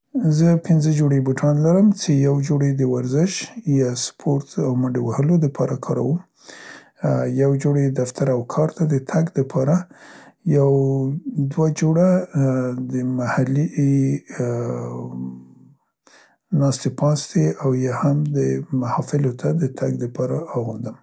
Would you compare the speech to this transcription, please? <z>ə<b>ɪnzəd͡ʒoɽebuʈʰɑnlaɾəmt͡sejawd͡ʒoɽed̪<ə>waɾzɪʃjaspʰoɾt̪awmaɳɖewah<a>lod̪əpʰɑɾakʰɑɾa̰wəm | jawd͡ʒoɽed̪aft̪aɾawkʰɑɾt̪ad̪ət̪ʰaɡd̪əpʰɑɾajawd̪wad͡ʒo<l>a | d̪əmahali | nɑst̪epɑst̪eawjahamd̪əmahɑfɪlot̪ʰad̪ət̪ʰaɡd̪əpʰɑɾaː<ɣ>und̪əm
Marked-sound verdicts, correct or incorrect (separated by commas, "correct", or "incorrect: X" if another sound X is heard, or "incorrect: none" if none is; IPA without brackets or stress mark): correct, incorrect: p, correct, incorrect: ə, incorrect: ɽ, correct